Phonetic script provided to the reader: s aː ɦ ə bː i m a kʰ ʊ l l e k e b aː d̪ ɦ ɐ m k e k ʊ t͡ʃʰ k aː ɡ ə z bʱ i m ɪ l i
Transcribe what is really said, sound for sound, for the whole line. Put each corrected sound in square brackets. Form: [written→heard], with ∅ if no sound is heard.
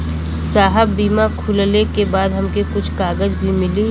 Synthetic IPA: s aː ɦ ə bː [i→iː] m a kʰ ʊ l l e k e b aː d̪ ɦ ɐ m k e k ʊ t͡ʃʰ k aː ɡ ə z bʱ i m ɪ l i